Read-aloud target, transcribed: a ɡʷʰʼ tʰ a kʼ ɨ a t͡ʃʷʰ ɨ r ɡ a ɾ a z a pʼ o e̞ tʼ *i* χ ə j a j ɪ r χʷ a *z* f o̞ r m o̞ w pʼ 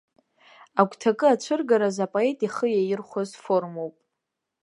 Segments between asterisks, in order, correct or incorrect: correct, correct

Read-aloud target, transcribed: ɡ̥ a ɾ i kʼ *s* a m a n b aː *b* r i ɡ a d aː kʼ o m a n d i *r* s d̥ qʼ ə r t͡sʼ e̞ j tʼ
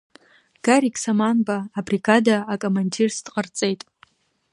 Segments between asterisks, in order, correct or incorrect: correct, correct, correct

